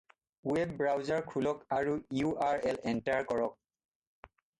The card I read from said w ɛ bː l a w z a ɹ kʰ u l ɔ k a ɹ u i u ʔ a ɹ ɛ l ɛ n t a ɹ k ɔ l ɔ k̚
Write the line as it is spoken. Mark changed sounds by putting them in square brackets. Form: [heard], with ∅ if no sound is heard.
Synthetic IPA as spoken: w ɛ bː [ɹ] a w z a ɹ kʰ u l ɔ k a ɹ u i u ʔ a ɹ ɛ l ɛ n t a ɹ k ɔ [ɹ] ɔ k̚